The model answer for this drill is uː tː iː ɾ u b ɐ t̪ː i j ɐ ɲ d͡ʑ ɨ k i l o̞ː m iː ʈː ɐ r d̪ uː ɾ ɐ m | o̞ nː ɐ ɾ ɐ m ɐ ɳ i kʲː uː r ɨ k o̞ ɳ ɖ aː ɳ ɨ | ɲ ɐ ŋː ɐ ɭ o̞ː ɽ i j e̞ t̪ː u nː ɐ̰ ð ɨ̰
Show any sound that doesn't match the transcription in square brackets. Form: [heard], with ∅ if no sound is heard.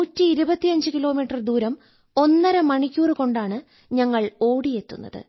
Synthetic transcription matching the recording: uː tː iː ɾ u b ɐ t̪ː i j ɐ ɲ d͡ʑ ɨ k i l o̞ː m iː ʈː ɐ r d̪ uː ɾ ɐ m | o̞ nː ɐ ɾ ɐ m ɐ ɳ i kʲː uː r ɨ k o̞ ɳ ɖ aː ɳ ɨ | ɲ ɐ ŋː ɐ ɭ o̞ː ɽ i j e̞ t̪ː u nː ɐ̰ ð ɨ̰